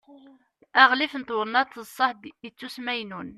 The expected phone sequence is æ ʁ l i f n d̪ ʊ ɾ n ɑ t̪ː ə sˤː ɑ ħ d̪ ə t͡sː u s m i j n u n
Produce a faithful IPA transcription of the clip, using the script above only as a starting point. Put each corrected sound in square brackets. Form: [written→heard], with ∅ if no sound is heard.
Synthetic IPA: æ ʁ l i f n [d̪→t̪] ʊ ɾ n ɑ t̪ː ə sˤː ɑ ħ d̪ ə t͡sː u s m [i→æ] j n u n